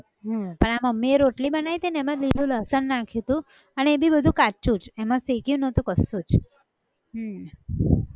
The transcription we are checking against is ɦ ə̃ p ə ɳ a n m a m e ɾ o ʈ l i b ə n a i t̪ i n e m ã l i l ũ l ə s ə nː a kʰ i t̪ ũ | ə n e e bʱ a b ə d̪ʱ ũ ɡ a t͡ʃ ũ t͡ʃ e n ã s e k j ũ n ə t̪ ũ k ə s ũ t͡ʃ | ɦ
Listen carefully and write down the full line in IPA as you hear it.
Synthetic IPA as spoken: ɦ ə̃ p ə ɳ a m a m e ɾ o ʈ l i b ə n a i t̪ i n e m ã l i l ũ l ə s ə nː a kʰ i t̪ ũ | ə n e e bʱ i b ə d̪ʱ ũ k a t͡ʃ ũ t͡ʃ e m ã s e k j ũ n ə t̪ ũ k ə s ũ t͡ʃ | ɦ